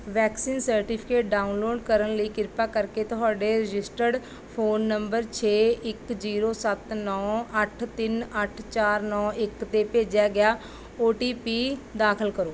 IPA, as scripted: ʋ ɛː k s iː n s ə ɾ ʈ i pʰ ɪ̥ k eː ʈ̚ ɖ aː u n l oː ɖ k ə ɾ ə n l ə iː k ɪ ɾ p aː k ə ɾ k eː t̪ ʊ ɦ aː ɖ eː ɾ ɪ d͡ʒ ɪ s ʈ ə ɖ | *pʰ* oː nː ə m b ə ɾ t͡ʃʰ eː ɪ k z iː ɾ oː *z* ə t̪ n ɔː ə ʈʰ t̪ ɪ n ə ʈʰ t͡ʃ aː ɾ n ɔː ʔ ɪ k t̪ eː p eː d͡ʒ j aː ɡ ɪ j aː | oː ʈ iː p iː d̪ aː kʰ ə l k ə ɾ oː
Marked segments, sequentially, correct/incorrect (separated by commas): correct, incorrect